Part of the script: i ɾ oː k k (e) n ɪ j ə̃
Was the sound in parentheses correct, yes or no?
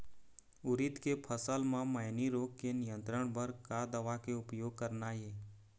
yes